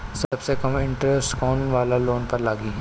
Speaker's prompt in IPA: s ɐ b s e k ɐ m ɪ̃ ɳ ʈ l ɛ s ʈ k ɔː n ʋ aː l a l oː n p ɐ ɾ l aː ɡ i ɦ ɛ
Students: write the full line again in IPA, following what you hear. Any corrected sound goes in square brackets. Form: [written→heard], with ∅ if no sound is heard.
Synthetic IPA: s ɐ b s e k ɐ m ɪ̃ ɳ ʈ [l→ɾ] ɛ s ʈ k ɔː n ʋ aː l a l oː n p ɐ ɾ l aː ɡ i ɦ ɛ

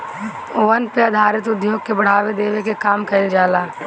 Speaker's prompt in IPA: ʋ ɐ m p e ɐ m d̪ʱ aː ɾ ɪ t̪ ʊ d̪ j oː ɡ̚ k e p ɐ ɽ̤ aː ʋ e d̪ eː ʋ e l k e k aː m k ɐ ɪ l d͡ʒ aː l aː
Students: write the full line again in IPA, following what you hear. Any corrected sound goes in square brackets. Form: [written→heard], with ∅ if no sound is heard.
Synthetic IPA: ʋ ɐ [m→n] p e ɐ [m→∅] d̪ʱ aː ɾ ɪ t̪ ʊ d̪ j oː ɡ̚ k e [p→b] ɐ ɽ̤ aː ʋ e d̪ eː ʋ e [l→∅] k e k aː m k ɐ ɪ l d͡ʒ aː l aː

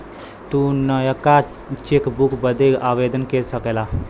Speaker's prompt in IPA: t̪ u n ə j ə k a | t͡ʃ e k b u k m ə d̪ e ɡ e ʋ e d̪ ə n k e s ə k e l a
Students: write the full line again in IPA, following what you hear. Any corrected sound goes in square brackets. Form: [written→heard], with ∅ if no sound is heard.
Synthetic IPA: t̪ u n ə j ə k a | t͡ʃ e k b u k [m→b] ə d̪ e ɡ [e→a] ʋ e d̪ ə n k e s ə k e l a

